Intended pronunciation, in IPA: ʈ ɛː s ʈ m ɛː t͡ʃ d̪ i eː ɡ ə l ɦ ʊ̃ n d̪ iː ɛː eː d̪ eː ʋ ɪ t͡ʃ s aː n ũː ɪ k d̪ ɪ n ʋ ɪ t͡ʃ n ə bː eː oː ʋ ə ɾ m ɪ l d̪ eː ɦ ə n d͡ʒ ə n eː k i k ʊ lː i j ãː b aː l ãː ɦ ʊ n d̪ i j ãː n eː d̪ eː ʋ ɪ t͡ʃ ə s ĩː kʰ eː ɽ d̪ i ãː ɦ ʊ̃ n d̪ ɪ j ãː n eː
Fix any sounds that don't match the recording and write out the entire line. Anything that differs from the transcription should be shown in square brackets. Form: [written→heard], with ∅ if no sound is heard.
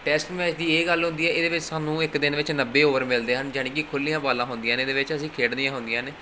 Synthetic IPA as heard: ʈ ɛː s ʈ m ɛː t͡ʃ d̪ [i→iː] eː ɡ ə l ɦ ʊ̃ n d̪ iː ɛː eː d̪ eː ʋ ɪ t͡ʃ s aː n ũː ɪ k d̪ ɪ n ʋ ɪ t͡ʃ n ə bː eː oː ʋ ə ɾ m ɪ l d̪ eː ɦ ə n d͡ʒ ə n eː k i [k→kʰ] ʊ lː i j ãː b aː l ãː ɦ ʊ n d̪ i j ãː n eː d̪ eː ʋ ɪ t͡ʃ ə s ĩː kʰ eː ɽ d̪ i ãː ɦ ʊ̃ n d̪ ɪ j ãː n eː